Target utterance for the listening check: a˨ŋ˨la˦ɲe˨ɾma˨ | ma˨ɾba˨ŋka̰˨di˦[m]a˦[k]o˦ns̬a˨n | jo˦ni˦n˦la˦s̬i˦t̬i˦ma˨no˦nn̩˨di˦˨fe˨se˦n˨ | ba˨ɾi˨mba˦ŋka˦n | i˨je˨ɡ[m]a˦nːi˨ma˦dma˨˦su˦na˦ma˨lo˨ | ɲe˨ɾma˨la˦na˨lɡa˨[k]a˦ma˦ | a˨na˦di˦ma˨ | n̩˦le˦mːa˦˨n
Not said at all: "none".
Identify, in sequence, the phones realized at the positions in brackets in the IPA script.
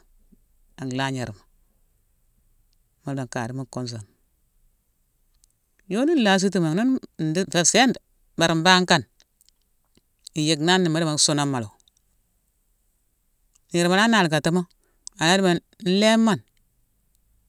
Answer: m, k, n, t

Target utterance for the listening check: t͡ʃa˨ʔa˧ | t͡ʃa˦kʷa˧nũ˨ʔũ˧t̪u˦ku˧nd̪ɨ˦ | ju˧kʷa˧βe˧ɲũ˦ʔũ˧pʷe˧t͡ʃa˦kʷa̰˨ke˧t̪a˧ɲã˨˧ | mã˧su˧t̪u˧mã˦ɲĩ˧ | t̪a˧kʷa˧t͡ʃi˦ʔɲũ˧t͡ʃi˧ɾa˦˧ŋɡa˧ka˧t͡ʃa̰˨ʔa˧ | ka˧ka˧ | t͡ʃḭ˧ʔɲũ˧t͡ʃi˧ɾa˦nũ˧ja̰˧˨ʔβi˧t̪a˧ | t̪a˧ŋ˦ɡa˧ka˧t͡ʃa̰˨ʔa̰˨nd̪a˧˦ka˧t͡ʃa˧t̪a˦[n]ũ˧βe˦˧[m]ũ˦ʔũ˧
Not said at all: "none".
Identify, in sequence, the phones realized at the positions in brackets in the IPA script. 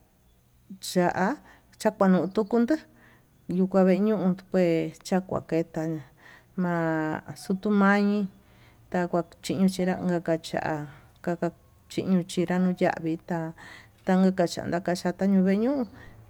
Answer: ɲ, ɲ

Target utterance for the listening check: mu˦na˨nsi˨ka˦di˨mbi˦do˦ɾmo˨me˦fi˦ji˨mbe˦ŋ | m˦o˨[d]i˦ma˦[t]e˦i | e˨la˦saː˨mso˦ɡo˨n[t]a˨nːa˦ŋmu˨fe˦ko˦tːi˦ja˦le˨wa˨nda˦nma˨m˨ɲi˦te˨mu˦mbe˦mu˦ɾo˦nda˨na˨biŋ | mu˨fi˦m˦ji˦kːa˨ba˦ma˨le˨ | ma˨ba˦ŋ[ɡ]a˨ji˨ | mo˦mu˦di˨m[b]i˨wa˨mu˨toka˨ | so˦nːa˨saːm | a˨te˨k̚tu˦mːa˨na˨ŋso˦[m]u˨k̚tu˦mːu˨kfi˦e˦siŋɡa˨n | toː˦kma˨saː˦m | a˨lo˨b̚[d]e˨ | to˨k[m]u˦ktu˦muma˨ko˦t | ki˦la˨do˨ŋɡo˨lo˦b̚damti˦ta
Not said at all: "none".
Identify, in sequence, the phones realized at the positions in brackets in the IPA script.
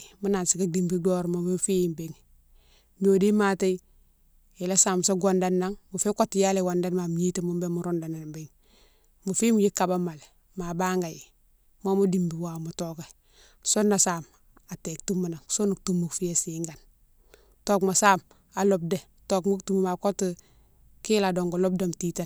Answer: d, t, d, ɡ, b, n, d, m

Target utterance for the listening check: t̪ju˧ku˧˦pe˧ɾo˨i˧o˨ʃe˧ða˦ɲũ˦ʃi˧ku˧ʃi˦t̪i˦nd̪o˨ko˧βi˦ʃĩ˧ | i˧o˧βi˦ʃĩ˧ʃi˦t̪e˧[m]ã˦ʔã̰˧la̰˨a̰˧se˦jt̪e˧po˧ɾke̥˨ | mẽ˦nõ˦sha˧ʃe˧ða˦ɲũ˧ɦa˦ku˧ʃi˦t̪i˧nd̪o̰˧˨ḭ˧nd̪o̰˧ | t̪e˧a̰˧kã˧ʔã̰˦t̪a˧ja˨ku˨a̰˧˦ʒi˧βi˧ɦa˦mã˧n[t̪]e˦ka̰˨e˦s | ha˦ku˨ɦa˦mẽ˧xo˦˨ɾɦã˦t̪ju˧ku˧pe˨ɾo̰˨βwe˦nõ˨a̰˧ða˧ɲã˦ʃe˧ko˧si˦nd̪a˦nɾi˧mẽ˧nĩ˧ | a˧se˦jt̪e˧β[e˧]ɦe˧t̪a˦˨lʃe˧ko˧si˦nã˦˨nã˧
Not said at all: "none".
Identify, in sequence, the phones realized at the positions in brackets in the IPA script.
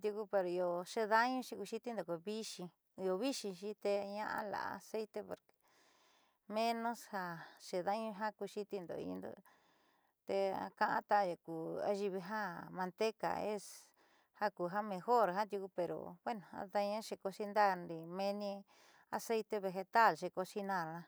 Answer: ɲ, t̪, e˧

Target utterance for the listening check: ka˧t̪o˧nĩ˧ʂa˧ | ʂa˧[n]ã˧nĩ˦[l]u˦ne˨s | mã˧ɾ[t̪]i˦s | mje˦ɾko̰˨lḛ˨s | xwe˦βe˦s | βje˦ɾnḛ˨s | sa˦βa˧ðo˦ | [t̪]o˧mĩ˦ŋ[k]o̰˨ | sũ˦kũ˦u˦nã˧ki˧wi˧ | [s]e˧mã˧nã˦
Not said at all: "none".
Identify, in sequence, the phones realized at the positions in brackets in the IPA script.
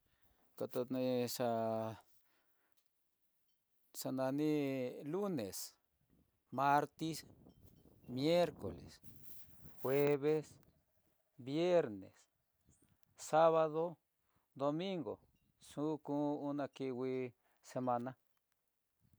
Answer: n, l, t̪, d̪, ɡ, s

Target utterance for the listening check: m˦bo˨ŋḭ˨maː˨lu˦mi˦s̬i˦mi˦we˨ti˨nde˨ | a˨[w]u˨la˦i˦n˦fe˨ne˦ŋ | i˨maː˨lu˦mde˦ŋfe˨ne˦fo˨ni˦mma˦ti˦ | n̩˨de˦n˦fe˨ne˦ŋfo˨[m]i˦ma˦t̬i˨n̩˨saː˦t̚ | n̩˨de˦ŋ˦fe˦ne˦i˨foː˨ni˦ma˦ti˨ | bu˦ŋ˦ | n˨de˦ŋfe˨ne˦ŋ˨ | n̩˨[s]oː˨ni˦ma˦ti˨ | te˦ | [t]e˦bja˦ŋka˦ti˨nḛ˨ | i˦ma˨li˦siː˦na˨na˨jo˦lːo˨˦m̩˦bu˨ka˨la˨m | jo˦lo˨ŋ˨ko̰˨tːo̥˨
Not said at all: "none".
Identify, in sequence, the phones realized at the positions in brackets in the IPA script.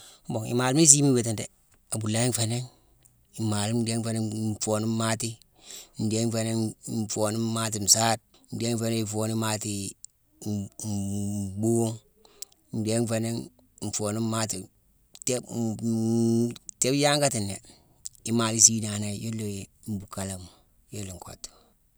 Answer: b, n, f, t

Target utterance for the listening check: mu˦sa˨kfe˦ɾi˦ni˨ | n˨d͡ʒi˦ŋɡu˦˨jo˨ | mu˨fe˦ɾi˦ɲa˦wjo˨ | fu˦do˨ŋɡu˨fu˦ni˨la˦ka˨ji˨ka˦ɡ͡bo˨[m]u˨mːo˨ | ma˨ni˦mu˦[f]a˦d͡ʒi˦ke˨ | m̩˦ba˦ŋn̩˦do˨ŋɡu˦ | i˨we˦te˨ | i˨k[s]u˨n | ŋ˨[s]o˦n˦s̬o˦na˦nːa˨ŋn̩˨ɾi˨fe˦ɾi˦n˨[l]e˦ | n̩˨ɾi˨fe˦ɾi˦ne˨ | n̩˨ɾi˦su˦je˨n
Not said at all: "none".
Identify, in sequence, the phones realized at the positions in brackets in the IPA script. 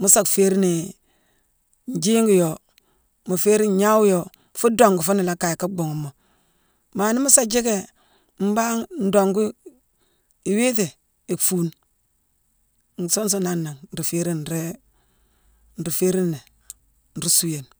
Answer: ŋ, s, f, s, ɾ

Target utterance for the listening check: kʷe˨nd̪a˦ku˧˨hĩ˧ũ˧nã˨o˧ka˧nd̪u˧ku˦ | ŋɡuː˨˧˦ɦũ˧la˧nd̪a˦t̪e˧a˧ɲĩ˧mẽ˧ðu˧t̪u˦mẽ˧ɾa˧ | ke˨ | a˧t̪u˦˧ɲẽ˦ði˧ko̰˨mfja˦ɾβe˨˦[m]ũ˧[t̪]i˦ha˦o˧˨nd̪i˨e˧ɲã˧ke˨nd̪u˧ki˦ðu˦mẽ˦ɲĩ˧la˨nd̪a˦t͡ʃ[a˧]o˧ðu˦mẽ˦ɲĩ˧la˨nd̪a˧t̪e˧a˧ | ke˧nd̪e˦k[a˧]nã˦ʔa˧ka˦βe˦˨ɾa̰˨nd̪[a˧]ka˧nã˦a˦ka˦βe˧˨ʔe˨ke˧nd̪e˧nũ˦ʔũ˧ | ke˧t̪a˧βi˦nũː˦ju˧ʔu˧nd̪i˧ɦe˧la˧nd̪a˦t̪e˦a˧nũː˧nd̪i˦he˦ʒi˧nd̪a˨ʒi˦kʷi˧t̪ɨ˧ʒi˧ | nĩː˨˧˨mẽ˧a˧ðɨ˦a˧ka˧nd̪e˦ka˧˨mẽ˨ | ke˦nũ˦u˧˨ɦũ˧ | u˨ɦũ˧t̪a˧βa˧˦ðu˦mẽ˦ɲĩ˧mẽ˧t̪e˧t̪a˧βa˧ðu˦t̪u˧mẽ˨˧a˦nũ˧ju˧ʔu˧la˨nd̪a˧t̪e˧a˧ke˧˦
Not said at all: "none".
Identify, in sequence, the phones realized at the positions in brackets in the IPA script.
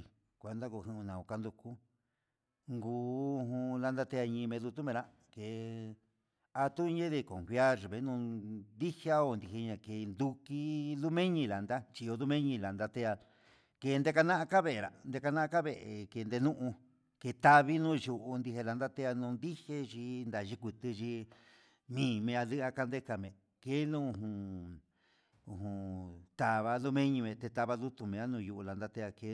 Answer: n, d̪, i˧, a˧, e˧

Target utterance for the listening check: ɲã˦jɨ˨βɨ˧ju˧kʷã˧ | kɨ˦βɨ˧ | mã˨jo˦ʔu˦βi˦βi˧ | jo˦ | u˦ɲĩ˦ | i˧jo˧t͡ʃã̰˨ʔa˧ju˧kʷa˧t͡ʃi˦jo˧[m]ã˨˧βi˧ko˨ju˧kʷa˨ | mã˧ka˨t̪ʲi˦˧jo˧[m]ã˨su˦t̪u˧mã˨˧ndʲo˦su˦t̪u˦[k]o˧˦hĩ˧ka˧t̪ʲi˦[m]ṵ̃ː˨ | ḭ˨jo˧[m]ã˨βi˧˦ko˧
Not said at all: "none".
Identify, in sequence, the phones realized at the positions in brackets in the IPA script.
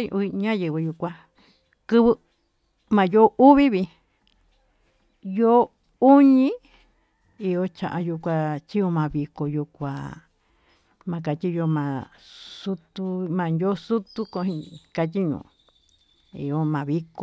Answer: m, m, k, ɲ, m

